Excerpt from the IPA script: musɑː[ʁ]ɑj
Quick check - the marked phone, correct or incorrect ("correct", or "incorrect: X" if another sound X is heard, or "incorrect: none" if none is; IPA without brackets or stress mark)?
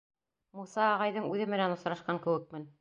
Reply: correct